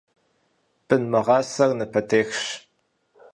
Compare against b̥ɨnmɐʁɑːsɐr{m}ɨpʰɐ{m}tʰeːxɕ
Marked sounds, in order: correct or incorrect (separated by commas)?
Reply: incorrect, incorrect